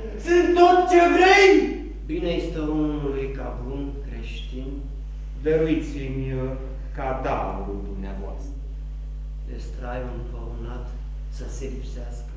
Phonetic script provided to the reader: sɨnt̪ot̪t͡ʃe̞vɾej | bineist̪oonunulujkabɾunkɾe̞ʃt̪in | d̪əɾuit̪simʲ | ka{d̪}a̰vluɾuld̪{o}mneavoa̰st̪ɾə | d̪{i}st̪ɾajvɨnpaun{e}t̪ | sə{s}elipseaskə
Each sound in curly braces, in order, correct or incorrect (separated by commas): correct, incorrect, incorrect, incorrect, correct